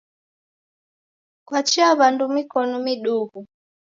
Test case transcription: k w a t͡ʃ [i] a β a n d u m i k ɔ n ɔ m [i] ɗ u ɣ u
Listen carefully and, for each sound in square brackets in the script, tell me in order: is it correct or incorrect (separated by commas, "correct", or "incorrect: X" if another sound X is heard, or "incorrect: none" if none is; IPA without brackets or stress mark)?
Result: correct, correct